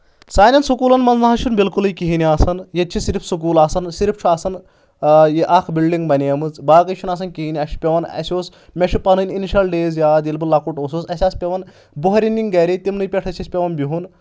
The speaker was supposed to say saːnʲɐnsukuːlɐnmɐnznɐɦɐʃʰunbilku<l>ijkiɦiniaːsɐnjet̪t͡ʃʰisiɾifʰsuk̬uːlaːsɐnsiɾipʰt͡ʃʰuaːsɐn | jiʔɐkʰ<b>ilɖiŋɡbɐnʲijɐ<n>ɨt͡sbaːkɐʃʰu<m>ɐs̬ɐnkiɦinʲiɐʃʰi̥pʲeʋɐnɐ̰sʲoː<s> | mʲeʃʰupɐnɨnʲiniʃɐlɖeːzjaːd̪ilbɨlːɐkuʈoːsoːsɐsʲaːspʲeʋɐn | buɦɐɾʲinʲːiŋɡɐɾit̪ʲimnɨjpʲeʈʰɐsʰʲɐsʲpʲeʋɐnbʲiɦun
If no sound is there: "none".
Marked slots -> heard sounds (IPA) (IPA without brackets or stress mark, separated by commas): l, b, m, n, s